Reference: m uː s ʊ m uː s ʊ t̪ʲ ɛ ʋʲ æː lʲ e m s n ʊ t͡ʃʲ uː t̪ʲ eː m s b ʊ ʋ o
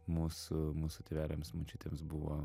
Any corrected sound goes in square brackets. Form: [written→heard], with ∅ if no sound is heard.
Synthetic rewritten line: m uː s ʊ m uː s ʊ t̪ʲ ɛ ʋʲ æː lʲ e m s [n→m] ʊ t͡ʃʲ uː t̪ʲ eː m s b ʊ ʋ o